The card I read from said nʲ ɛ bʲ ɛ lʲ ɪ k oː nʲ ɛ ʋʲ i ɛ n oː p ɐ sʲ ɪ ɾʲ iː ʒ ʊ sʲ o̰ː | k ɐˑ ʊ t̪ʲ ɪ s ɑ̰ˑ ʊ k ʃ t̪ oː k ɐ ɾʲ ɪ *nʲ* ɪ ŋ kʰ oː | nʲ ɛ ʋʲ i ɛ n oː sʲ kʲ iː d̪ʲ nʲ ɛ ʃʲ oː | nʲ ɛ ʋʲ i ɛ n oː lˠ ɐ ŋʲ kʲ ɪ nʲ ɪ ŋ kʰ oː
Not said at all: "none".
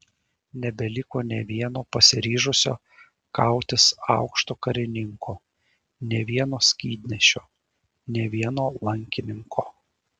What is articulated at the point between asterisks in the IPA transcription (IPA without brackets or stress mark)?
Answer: nʲ